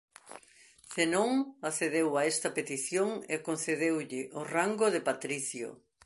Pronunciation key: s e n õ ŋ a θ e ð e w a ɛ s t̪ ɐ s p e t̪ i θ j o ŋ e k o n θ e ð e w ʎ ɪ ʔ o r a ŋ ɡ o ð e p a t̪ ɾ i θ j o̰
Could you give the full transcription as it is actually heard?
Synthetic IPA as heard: s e n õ ŋ a θ e ð e w a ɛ s t̪ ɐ p e t̪ i θ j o ŋ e k o n θ e ð e w ʎ ɪ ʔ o r a ŋ ɡ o ð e p a t̪ ɾ i θ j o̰

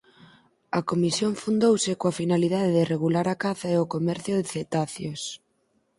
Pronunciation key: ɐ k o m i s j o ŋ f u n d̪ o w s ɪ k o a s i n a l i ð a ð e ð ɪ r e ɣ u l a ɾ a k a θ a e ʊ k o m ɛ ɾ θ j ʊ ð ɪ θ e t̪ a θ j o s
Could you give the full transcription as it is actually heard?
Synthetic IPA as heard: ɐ k o m i s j o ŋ f u n d̪ o w s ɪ k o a f i n a l i ð a ð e ð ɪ r e ɣ u l a ɾ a k a θ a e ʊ k o m ɛ ɾ θ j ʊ ð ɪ θ e t̪ a θ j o s

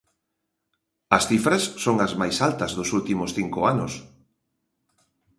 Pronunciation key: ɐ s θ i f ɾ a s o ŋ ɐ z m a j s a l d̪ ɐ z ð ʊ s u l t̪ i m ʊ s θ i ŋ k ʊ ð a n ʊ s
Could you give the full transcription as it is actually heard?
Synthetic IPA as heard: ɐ s θ i f ɾ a sː o ŋ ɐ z m a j s a l t̪ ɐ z ð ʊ s u l t̪ i m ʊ s θ i ŋ k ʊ a n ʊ s

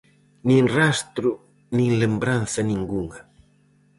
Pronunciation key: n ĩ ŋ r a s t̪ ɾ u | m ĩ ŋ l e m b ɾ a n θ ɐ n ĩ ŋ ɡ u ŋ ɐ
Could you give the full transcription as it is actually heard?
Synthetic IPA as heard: n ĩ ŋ r a s t̪ ɾ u | n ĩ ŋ l e m b ɾ a n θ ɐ n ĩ ŋ ɡ u ŋ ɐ

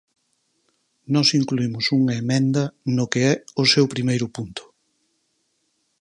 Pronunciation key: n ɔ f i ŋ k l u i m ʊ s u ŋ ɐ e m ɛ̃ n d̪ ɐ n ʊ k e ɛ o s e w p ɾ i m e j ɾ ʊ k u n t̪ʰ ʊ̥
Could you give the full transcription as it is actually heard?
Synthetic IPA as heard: n ɔ s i ŋ k l u i m ʊ s u ŋ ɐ e m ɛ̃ n d̪ ɐ n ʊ k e ɛ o s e w p ɾ i m e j ɾ ʊ p u n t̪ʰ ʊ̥

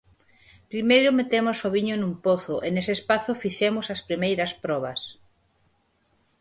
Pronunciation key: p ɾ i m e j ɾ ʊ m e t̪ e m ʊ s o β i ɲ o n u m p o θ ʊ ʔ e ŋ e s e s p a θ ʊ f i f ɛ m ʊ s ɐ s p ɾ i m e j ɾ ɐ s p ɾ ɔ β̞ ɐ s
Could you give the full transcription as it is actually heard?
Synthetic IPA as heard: p ɾ i m e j ɾ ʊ m e t̪ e m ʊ s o β i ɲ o n u m p o θ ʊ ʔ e n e s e s p a θ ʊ f i ʃ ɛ m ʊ s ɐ s p ɾ i m e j ɾ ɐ s p ɾ ɔ β̞ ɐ s

